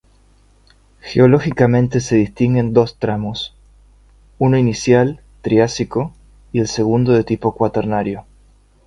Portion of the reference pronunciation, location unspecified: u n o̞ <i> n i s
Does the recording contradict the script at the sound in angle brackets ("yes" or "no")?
no